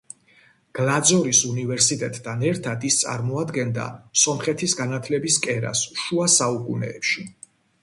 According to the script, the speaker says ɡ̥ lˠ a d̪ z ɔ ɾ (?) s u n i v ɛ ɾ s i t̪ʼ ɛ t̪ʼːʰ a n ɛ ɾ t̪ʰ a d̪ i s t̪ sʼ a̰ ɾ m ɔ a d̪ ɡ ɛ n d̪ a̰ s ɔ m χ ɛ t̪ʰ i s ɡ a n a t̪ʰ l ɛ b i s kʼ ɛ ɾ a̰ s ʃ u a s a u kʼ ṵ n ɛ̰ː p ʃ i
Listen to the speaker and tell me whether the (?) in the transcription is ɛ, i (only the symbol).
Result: i